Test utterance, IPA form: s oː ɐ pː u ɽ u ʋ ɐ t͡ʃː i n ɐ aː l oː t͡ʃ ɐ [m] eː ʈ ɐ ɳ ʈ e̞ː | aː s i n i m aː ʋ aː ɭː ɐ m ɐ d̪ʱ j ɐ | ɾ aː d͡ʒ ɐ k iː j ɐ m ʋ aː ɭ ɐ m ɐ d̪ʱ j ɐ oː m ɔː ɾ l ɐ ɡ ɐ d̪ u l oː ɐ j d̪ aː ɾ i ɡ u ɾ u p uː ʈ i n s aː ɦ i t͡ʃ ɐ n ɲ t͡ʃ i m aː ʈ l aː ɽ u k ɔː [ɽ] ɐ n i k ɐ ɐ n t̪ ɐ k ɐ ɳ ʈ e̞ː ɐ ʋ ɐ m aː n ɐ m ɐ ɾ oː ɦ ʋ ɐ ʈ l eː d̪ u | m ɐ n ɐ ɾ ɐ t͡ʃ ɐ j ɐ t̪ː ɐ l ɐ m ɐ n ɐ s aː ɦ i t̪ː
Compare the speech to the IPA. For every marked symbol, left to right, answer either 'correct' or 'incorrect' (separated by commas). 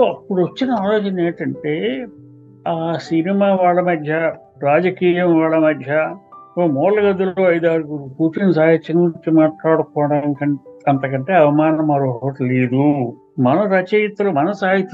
incorrect, correct